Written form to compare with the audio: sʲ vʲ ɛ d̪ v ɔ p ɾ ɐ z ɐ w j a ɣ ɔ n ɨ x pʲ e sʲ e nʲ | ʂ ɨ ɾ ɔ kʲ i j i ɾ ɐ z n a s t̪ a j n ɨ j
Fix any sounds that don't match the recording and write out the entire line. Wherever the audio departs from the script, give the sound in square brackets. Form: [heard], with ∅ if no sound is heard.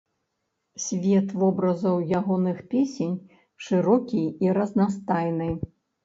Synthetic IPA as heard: sʲ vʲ ɛ [t̪] v ɔ [b] ɾ ɐ z ɐ w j a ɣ ɔ n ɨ x pʲ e sʲ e nʲ | ʂ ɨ ɾ ɔ kʲ i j i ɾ ɐ z n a s t̪ a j n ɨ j